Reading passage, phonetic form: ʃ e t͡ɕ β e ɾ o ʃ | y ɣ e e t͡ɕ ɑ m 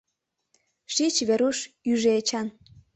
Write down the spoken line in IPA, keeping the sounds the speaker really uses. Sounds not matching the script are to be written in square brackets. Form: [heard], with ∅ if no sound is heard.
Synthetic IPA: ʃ [i] t͡ɕ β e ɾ [u] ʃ | y [ʒ] e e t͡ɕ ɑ [n]